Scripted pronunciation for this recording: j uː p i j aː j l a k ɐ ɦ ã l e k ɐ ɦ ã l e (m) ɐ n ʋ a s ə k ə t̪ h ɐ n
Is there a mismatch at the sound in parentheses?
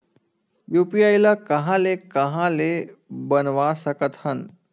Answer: yes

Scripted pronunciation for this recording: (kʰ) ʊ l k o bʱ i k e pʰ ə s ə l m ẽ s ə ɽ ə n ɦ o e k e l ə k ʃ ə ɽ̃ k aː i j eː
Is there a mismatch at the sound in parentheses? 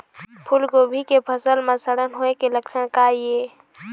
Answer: yes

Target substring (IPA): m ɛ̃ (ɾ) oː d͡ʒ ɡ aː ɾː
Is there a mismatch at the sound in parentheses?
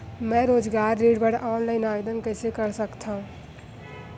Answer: no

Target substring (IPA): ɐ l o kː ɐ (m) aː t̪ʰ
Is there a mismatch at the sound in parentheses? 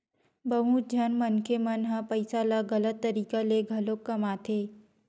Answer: no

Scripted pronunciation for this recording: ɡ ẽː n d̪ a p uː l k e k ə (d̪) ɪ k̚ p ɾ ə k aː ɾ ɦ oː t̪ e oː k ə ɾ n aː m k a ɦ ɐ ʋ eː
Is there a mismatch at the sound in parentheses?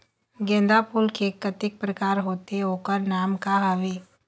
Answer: yes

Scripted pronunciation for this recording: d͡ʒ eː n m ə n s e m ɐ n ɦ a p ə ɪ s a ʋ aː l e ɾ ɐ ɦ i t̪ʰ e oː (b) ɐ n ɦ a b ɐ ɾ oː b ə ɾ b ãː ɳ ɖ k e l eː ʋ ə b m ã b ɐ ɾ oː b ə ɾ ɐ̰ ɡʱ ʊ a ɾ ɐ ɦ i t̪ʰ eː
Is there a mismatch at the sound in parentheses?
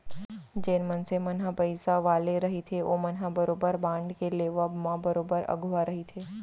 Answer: yes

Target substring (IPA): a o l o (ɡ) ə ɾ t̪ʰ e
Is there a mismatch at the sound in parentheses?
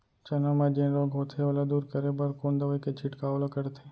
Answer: yes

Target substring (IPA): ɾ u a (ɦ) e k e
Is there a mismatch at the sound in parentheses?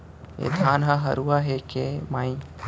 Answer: no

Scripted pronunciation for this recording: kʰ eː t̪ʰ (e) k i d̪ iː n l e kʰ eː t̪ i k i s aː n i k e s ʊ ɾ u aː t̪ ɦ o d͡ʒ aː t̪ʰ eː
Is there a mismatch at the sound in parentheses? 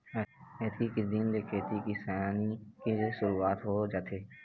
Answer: yes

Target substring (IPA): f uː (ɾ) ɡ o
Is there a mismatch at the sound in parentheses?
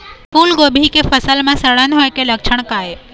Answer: yes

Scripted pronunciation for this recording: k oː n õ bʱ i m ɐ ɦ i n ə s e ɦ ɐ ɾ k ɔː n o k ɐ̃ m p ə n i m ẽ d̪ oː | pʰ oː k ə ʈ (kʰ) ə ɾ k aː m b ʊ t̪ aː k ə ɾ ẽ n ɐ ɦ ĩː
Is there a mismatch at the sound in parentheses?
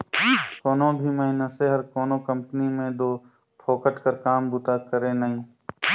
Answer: yes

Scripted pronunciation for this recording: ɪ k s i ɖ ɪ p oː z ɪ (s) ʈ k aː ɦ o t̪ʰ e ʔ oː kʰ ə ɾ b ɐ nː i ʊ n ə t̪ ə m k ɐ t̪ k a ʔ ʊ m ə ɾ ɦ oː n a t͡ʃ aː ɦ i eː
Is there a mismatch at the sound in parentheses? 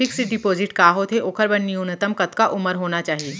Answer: yes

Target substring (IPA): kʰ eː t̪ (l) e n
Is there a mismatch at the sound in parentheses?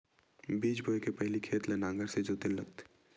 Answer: no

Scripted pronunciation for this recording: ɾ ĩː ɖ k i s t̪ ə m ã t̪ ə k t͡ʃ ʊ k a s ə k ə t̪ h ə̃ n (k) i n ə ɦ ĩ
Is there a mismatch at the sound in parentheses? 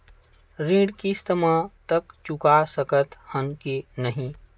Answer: no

